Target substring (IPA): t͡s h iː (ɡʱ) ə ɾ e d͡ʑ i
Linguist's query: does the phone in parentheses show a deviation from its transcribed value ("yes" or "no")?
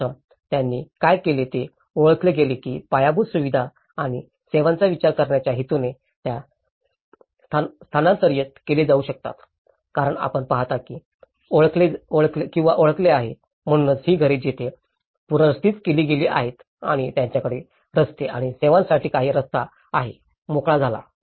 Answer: no